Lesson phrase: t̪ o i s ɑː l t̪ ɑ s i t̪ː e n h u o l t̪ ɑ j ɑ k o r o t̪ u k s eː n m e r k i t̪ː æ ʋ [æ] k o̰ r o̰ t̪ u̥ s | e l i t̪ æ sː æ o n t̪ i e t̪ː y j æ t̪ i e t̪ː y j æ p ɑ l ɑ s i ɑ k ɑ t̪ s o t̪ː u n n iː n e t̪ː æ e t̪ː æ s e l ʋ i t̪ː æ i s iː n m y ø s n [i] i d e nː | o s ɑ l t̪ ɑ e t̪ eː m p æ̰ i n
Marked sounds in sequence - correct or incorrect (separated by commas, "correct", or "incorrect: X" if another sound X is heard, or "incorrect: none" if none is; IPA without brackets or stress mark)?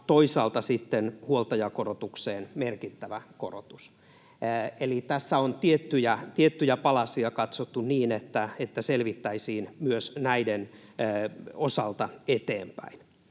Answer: correct, incorrect: æ